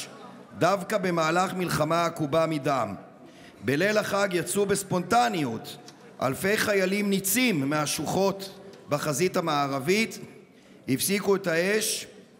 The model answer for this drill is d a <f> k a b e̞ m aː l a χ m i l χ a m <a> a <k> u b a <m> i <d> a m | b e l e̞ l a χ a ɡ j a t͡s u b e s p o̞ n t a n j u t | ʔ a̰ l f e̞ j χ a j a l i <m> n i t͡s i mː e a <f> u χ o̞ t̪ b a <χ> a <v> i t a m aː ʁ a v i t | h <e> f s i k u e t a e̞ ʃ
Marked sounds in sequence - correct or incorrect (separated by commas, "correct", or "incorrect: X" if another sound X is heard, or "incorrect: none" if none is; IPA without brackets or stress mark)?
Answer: incorrect: v, correct, correct, correct, correct, correct, incorrect: ʃ, correct, incorrect: z, incorrect: i